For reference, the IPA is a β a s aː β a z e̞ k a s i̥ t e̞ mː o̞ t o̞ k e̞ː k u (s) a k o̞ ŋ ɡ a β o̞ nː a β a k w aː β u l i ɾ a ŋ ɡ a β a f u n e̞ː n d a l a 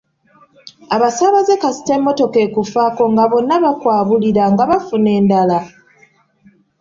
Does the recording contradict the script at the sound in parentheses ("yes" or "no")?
yes